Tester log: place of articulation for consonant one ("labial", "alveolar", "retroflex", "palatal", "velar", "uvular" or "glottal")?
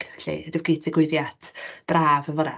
alveolar